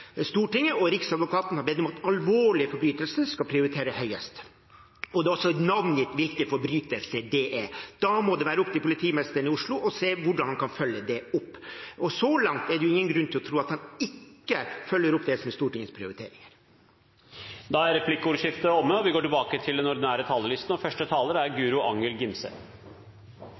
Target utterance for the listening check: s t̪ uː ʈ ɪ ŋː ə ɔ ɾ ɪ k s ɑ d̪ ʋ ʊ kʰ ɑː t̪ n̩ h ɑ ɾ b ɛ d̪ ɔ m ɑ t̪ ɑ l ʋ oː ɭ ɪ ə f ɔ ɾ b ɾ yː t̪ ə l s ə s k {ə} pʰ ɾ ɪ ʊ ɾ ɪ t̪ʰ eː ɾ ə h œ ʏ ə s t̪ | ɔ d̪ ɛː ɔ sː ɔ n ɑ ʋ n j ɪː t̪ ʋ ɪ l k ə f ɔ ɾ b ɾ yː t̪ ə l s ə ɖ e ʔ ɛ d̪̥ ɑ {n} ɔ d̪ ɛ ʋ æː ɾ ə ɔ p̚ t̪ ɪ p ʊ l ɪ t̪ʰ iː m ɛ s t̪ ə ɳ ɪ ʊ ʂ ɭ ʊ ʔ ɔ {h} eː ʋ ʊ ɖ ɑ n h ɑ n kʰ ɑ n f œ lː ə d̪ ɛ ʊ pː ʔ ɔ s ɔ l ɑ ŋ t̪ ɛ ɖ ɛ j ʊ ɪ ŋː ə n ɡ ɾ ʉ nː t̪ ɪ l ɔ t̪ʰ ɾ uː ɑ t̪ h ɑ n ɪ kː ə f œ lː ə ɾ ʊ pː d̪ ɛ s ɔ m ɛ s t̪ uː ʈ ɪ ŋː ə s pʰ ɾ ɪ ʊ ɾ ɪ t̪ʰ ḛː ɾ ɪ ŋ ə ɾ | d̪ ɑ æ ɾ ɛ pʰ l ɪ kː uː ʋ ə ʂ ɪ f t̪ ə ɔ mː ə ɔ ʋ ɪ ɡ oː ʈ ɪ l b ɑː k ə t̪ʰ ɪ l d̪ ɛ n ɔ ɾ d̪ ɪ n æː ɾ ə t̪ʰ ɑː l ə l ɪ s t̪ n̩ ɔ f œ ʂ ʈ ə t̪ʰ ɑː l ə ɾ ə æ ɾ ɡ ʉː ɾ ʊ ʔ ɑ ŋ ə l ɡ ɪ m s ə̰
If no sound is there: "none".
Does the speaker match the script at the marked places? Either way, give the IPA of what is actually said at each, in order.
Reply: ɑ, m, s

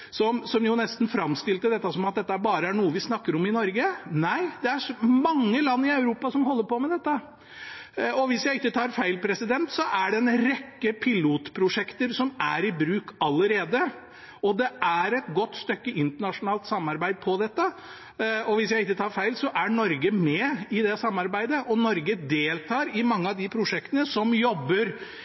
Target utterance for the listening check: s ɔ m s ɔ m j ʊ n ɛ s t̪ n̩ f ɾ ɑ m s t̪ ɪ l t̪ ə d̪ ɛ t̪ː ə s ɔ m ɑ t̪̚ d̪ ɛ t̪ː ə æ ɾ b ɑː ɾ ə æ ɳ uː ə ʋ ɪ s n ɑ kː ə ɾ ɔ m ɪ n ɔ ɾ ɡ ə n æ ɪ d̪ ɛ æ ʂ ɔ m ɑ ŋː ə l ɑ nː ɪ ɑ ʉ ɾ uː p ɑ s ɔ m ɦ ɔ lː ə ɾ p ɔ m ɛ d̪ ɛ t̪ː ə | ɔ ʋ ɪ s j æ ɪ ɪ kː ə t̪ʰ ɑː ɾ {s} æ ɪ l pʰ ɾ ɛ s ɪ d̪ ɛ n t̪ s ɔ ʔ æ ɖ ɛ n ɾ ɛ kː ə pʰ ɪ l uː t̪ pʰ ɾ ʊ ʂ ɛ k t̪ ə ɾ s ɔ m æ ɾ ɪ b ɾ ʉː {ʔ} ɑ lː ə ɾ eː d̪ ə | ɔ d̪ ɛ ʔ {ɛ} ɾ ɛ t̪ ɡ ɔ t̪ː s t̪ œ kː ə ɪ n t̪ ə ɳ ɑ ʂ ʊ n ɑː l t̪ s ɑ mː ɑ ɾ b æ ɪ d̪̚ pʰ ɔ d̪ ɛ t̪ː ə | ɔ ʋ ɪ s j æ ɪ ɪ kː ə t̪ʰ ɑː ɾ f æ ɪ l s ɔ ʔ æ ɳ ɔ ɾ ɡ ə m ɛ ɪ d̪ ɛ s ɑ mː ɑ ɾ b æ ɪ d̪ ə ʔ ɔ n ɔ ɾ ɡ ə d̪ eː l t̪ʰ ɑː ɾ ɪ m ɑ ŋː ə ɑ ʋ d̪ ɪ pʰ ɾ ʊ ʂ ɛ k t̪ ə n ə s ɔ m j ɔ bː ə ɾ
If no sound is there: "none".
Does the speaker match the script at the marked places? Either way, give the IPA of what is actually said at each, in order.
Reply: f, k, æ

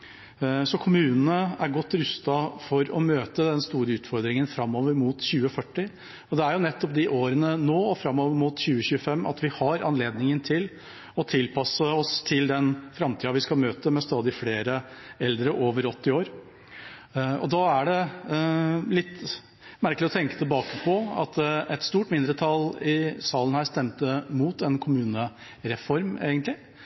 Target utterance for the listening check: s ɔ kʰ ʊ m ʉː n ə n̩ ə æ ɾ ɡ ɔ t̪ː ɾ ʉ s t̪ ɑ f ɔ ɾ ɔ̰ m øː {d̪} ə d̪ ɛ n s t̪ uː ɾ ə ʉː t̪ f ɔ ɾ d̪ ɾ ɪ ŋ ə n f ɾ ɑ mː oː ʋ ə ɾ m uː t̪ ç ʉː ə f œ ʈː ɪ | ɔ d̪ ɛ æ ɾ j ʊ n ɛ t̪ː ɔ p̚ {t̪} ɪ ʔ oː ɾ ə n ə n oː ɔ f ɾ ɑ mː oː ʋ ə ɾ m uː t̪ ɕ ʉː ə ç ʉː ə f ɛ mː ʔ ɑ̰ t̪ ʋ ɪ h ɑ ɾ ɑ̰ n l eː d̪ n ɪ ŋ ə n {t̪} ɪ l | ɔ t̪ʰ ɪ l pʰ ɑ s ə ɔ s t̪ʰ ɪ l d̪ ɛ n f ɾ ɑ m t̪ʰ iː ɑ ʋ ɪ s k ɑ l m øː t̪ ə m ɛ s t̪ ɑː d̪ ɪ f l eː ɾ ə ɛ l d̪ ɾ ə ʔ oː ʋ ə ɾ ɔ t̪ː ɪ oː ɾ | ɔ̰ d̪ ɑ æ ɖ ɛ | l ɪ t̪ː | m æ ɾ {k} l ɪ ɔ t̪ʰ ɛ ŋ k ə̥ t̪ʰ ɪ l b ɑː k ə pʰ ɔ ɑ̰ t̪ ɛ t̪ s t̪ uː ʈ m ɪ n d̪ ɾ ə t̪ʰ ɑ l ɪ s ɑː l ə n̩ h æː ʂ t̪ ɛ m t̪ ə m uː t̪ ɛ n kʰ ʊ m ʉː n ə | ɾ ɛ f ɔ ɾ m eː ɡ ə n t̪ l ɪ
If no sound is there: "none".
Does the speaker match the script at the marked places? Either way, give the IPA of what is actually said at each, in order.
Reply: t̪, d̪, t̪ʰ, k

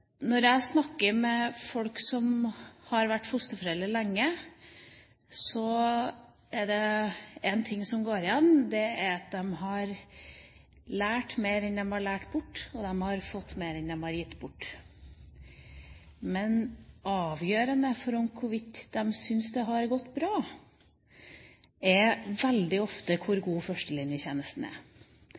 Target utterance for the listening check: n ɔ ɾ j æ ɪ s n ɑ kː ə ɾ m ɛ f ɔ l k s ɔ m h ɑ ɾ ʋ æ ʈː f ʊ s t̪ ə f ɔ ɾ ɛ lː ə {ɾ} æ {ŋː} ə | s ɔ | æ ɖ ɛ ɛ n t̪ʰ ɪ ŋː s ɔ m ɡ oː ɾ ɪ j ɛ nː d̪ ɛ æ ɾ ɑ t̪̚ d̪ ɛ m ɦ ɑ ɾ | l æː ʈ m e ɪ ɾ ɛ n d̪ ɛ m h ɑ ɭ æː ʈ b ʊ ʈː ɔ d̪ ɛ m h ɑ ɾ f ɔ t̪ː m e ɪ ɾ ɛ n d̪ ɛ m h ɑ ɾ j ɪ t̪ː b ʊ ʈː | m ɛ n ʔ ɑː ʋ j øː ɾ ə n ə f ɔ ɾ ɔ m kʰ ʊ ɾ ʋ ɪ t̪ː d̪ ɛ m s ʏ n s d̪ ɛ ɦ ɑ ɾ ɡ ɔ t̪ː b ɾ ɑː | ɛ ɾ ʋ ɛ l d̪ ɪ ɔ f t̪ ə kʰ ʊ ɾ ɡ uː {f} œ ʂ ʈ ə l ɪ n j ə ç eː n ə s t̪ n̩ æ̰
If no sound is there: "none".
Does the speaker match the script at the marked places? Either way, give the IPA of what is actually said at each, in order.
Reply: l, ŋː, f

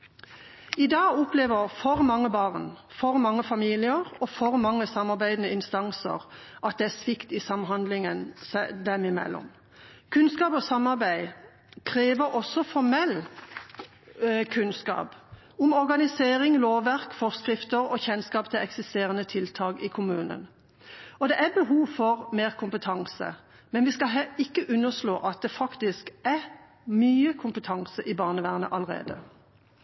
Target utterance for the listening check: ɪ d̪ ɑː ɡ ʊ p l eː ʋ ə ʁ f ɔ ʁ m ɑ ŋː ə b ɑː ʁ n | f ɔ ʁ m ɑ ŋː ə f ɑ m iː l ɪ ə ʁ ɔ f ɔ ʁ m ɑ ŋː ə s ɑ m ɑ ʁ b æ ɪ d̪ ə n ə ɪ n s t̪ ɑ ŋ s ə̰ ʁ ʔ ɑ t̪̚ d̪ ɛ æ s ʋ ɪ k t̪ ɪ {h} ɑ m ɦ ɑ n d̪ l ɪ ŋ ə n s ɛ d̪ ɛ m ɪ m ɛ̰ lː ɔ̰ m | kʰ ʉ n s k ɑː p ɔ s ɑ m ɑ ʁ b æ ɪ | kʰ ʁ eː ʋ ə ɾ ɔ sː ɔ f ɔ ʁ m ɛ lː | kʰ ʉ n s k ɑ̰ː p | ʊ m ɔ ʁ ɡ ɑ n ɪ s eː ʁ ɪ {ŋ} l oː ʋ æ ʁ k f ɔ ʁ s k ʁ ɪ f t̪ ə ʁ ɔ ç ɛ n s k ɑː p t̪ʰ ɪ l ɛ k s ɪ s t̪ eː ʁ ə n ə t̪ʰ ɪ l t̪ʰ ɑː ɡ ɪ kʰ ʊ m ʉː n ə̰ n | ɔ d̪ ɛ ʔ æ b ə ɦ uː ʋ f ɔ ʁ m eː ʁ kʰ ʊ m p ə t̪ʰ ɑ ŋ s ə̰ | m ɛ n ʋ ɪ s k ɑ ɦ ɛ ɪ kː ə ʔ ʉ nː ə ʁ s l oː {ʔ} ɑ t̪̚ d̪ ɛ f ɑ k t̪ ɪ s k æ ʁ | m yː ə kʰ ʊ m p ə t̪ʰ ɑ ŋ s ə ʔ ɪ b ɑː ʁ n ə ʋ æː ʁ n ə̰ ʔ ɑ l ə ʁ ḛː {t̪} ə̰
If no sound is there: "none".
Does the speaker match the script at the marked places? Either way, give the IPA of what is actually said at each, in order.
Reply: s, ŋ, ʔ, d̪

